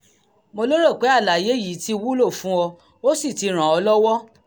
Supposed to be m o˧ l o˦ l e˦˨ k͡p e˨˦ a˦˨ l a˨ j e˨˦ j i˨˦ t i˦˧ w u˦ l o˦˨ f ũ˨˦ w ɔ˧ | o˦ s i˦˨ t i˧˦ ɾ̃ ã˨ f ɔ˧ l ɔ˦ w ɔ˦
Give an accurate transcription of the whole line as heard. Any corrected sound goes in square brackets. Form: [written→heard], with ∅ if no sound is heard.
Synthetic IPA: m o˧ l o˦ [l→ɾ] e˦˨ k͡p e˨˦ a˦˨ l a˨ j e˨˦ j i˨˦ t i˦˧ w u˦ l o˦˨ f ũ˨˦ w ɔ˧ | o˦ s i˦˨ t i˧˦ ɾ̃ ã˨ [f→∅] ɔ˧ l ɔ˦ w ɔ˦